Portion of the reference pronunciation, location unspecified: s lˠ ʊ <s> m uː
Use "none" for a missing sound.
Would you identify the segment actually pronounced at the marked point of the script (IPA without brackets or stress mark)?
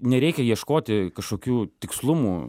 none